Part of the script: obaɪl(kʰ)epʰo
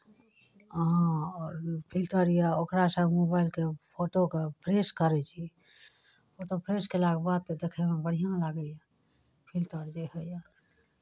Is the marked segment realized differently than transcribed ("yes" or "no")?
yes